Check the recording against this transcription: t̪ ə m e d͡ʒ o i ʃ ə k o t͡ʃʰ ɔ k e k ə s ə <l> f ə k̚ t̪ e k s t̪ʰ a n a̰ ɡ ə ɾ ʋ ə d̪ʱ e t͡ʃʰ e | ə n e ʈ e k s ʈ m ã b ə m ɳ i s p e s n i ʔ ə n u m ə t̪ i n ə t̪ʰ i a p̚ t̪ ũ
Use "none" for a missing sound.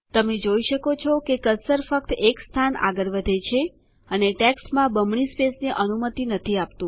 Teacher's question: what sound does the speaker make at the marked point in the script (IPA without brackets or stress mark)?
ɾ